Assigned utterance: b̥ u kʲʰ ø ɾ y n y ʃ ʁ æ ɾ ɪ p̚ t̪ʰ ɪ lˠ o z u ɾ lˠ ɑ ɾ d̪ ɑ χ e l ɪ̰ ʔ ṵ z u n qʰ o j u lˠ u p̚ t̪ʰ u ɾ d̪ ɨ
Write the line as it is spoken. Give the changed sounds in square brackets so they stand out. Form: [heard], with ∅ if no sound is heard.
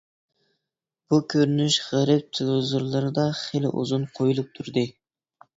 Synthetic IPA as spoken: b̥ u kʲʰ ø ɾ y n y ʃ ʁ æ ɾ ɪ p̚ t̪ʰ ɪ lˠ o z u ɾ lˠ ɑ ɾ d̪ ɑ χ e l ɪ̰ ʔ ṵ z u n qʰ o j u lˠ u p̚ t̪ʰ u ɾ d̪ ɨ